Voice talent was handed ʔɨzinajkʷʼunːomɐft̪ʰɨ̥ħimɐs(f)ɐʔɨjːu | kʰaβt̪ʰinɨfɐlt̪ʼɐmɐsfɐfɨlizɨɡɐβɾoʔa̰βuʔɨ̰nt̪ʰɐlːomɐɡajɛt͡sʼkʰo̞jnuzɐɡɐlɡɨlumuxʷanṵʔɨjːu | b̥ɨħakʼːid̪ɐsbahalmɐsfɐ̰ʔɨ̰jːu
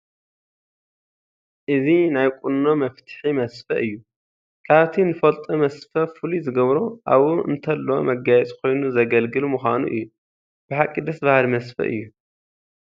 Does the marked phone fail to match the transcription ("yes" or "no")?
no